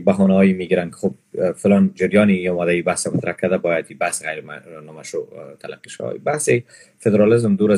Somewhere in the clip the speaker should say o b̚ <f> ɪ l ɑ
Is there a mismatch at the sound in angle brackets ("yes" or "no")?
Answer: no